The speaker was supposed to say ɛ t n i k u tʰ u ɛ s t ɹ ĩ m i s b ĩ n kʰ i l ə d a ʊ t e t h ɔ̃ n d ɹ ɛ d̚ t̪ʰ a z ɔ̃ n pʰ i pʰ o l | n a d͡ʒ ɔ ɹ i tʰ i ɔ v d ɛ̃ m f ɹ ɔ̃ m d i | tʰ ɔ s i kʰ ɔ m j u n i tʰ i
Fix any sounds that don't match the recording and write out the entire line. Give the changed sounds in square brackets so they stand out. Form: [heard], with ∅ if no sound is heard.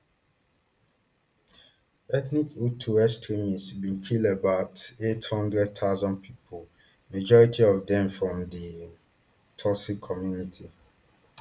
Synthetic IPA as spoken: ɛ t n i k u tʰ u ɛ s t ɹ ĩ m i s b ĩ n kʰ i l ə [b] a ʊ t e t h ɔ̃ n d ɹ ɛ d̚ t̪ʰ a z ɔ̃ n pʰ i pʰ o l | [m] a d͡ʒ ɔ ɹ i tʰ i ɔ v d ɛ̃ m f ɹ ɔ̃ m d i | tʰ ɔ s i kʰ ɔ m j u n i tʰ i